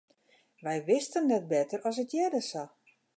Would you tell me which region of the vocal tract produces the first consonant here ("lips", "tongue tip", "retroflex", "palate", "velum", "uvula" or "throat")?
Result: lips